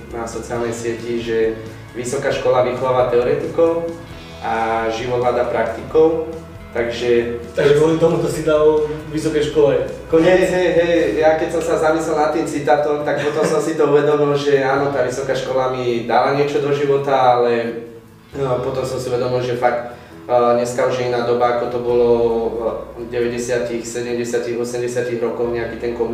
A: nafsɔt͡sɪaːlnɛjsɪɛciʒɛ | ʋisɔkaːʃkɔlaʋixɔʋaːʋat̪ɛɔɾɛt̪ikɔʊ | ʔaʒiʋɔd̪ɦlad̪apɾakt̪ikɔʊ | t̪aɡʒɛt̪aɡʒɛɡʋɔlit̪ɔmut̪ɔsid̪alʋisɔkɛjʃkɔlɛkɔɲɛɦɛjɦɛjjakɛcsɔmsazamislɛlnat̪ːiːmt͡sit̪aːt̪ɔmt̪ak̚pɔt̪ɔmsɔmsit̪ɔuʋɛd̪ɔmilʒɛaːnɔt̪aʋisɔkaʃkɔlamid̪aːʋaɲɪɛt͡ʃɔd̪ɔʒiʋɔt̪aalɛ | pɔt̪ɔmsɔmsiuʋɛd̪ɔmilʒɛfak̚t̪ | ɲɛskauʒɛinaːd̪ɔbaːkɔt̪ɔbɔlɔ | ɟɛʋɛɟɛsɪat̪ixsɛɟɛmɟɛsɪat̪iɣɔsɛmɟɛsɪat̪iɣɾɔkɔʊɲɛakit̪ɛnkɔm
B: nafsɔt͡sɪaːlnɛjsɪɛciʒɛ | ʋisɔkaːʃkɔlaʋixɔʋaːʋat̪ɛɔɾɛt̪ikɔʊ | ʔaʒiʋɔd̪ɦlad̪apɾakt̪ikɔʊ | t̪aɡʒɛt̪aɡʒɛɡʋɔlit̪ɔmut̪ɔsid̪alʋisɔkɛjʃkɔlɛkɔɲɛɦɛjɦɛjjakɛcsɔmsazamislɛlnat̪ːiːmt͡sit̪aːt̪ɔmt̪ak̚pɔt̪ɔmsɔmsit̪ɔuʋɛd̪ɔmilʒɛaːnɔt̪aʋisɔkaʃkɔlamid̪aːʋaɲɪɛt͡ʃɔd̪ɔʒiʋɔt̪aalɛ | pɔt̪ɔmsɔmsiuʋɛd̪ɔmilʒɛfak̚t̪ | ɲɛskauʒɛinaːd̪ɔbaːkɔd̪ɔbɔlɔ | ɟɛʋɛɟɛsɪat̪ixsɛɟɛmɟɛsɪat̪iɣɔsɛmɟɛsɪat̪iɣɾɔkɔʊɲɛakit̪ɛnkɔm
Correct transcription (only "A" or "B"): A